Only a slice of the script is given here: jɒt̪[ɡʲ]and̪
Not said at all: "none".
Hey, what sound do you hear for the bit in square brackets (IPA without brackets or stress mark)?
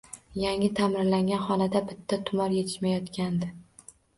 kʲ